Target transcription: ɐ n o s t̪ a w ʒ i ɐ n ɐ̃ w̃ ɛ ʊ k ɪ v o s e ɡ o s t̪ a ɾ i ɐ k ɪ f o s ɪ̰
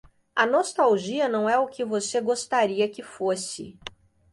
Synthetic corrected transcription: ɐ n o s t̪ a w ʒ i ɐ n ɐ̃ w̃ ɛ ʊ k ɪ v o s e ɡ o s t̪ a ɾ i ɐ k ɪ f o s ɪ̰